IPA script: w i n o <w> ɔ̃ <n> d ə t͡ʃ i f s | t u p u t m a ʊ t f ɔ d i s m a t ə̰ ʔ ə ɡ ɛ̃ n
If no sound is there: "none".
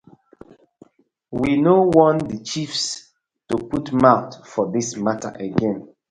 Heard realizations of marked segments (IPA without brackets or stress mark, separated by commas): w, n